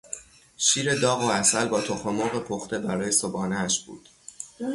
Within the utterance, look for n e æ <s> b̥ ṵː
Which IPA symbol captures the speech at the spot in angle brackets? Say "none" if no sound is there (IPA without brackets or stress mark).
ʃ